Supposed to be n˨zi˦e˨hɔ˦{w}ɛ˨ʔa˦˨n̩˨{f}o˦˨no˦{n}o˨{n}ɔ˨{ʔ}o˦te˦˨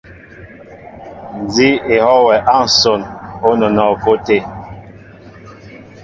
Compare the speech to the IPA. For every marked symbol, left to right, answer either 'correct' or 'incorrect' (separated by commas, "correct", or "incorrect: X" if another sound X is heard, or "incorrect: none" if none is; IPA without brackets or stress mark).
correct, incorrect: s, correct, correct, incorrect: k